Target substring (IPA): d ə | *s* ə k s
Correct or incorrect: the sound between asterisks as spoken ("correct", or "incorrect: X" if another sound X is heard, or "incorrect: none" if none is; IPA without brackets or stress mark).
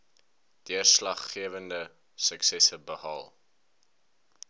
correct